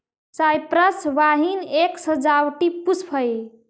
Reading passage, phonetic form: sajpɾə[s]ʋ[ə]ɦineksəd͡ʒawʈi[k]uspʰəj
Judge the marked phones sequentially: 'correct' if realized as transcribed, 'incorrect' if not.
correct, incorrect, incorrect

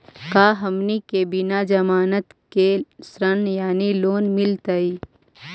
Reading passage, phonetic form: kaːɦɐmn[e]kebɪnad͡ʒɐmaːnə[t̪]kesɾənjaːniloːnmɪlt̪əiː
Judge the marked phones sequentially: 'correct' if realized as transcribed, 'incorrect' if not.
incorrect, correct

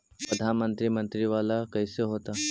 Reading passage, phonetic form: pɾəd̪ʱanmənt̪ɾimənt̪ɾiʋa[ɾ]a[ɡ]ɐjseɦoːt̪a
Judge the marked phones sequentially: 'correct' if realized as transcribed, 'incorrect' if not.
incorrect, incorrect

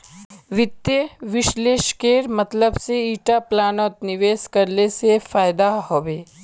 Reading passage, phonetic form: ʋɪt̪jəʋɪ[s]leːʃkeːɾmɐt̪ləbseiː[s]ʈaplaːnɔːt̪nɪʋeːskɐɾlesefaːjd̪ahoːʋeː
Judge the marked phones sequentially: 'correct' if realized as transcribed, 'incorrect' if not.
incorrect, incorrect

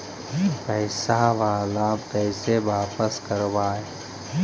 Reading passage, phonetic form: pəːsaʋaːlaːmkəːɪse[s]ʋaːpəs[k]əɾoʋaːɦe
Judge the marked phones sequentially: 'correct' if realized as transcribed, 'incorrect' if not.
incorrect, correct

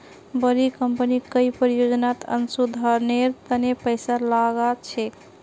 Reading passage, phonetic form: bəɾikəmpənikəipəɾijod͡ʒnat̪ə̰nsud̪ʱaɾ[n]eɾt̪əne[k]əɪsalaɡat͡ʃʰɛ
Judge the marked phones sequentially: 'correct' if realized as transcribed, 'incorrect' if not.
correct, incorrect

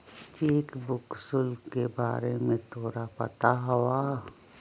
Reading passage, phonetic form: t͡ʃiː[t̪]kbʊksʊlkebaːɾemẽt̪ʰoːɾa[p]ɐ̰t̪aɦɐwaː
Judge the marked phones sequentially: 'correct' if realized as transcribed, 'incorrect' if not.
incorrect, correct

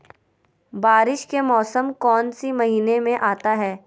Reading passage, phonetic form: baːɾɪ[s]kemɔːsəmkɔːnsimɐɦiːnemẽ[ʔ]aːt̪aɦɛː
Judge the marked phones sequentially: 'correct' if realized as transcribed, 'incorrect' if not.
incorrect, correct

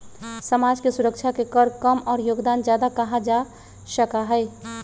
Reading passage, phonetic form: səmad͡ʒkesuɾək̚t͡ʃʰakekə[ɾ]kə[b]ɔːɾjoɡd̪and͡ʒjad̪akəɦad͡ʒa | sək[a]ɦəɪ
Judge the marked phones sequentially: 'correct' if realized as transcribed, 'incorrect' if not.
correct, incorrect, correct

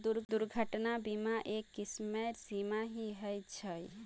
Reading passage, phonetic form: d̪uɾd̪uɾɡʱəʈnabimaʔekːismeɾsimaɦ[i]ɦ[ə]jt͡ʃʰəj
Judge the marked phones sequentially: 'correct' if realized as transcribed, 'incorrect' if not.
correct, correct

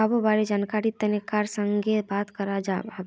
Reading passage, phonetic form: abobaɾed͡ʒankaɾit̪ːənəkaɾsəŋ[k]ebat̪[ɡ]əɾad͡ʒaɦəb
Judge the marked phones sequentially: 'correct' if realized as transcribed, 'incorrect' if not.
incorrect, incorrect

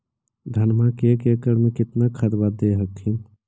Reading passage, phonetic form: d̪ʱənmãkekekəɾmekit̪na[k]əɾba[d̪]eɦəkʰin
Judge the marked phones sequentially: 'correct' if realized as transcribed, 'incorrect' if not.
incorrect, correct

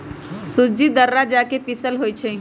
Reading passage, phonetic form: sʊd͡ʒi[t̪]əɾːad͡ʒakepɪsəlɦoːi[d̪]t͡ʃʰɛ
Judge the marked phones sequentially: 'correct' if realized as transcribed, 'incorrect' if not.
incorrect, incorrect

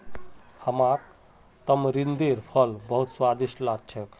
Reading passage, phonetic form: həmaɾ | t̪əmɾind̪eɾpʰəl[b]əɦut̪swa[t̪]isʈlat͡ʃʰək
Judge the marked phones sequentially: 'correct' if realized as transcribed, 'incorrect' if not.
correct, incorrect

